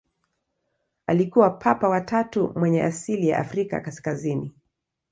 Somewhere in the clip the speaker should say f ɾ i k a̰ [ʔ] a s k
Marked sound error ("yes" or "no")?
yes